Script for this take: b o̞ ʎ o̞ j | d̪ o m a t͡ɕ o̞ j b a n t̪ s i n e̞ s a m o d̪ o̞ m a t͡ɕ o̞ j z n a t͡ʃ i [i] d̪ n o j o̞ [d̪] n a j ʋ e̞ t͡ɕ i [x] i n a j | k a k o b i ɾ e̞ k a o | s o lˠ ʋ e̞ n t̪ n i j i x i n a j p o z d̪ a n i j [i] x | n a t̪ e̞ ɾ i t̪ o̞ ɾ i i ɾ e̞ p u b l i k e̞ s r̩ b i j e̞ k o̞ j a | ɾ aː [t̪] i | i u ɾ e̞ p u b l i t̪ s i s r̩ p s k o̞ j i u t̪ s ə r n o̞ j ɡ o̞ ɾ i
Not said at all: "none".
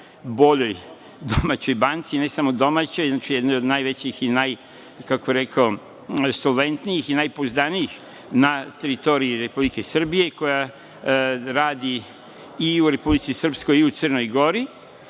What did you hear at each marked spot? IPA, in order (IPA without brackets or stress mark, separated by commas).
j, d̪, x, i, d̪